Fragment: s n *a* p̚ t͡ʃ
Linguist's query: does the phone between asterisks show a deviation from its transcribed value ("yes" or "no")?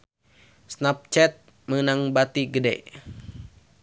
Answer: no